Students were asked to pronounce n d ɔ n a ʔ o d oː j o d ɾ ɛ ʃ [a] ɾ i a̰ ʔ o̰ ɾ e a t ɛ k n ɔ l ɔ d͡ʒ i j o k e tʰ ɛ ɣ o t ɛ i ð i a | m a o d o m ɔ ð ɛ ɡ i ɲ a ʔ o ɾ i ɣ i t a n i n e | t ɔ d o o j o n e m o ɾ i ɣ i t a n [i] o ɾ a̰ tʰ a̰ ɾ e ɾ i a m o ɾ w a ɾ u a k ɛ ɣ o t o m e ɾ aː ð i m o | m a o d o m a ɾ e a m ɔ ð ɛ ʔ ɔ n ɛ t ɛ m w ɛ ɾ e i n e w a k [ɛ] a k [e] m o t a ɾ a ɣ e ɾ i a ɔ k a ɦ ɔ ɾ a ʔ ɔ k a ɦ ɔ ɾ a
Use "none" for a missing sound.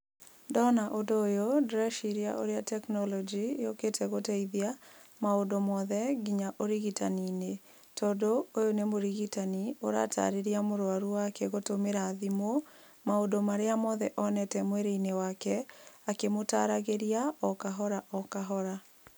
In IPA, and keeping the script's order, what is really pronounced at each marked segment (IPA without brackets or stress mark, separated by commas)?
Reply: i, i, ɛ, e